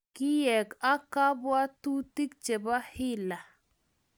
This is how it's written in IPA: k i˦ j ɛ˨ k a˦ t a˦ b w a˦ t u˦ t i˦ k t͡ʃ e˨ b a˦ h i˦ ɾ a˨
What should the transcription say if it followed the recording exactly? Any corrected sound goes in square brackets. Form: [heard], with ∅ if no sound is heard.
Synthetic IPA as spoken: k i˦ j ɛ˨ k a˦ [k] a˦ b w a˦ t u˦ t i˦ k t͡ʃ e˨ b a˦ h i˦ [l] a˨